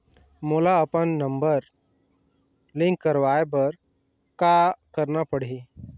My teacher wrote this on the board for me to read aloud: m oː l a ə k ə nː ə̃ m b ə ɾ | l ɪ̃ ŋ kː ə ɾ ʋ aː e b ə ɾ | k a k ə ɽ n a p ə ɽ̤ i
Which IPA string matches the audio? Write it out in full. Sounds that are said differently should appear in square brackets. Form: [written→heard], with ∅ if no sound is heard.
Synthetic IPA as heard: m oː l a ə [k→p] ə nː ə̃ m b ə ɾ | l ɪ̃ ŋ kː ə ɾ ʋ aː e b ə ɾ | k a k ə [ɽ→ɾ] n a p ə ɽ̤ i